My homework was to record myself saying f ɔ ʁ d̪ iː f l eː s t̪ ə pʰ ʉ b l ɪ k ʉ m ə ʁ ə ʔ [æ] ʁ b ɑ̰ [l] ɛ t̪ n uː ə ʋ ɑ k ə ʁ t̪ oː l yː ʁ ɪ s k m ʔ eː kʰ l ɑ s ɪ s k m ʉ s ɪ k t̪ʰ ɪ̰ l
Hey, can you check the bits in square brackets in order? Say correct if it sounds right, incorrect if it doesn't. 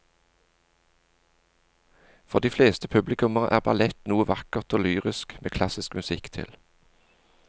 incorrect, correct

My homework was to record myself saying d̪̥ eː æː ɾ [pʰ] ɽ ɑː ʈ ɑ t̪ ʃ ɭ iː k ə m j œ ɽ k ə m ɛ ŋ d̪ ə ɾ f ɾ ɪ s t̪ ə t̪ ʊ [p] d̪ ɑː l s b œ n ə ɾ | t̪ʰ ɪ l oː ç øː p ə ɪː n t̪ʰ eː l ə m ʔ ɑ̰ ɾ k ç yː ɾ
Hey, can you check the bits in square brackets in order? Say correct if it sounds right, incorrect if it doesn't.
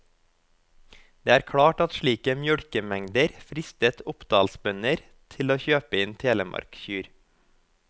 incorrect, correct

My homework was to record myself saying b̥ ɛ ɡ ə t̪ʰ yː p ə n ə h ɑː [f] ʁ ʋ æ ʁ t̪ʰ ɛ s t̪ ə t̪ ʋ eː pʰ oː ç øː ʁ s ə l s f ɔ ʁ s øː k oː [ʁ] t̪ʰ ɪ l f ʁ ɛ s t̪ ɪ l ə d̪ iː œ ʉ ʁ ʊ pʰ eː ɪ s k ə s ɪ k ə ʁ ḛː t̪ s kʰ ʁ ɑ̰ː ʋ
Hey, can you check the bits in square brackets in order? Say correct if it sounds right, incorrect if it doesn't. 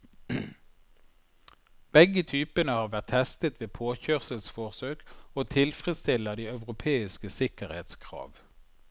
incorrect, incorrect

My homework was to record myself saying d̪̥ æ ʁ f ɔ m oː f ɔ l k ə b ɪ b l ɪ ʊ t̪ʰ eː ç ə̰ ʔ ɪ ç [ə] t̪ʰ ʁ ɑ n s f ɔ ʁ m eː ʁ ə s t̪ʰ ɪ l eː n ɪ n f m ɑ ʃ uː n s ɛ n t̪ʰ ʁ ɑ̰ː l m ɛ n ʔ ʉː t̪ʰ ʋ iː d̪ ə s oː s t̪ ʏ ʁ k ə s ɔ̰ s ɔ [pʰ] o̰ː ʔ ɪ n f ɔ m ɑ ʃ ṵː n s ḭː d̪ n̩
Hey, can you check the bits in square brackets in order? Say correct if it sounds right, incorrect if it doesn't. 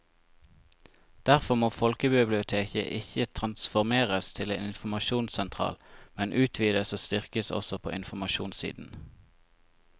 correct, correct

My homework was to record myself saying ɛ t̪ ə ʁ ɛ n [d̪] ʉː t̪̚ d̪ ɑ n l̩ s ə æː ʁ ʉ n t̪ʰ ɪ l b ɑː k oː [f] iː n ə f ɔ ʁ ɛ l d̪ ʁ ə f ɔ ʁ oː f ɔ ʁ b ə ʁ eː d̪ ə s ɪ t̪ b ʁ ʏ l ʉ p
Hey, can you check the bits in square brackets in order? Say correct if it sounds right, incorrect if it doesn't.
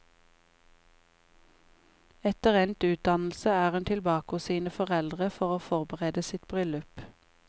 incorrect, incorrect

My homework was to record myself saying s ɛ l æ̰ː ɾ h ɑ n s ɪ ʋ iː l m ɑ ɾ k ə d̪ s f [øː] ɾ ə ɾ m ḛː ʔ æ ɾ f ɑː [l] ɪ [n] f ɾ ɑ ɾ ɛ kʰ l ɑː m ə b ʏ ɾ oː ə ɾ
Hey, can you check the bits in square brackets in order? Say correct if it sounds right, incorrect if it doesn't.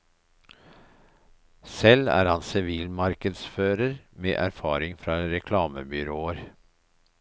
correct, incorrect, incorrect

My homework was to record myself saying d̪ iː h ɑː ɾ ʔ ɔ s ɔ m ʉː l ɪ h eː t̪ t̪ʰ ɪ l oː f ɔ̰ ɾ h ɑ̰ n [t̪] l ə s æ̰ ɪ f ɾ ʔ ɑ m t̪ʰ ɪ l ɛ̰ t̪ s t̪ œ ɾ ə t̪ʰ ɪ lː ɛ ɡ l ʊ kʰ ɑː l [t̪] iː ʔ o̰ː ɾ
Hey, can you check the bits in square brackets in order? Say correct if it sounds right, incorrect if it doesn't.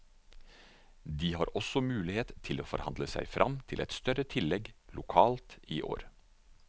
incorrect, correct

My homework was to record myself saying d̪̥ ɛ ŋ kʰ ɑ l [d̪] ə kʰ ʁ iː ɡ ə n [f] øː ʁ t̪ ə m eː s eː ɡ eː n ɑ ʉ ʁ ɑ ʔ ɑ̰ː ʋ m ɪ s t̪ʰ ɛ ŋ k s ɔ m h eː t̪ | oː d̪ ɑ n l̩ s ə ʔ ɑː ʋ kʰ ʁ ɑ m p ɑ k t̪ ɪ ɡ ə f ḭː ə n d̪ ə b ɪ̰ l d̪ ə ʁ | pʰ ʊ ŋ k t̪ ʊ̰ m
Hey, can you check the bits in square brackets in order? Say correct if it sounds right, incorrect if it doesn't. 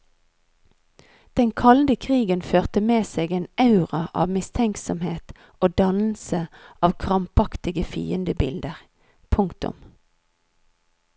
correct, correct

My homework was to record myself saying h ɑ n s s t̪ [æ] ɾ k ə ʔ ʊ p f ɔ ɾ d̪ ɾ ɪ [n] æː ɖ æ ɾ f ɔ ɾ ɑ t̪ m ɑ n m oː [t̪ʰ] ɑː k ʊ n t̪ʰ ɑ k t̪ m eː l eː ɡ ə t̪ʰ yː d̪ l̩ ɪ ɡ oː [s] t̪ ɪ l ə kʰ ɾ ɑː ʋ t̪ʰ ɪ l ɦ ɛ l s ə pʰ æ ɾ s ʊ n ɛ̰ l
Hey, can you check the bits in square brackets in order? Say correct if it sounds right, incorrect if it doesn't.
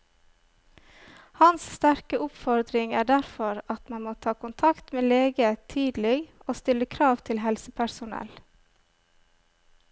correct, incorrect, correct, correct

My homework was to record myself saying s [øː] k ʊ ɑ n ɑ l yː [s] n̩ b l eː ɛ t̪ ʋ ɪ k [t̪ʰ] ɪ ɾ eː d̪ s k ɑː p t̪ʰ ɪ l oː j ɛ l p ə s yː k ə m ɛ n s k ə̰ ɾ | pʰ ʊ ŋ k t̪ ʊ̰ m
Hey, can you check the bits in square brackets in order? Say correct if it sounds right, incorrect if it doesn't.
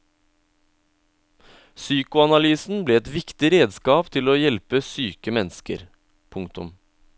incorrect, correct, incorrect

